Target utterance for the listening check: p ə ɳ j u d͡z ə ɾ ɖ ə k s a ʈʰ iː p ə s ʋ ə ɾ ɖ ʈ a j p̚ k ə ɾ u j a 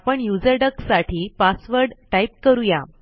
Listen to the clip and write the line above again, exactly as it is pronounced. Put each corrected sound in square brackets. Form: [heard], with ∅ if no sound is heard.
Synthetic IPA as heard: p ə ɳ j u d͡z ə ɾ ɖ ə k s a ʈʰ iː p [a] s ʋ ə ɾ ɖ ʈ a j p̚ k ə ɾ u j a